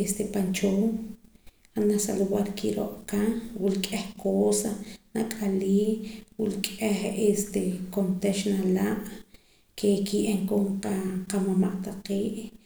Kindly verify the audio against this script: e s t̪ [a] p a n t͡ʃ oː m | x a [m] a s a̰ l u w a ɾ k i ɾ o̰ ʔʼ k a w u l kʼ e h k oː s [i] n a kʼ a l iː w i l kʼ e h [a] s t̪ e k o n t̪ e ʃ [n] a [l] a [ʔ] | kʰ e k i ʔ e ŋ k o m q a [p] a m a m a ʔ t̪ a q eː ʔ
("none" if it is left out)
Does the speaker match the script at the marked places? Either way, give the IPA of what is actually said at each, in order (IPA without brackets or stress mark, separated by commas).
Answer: e, n, a, e, n, l, ʔ, q